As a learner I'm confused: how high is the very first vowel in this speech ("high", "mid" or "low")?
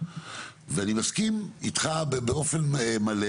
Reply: mid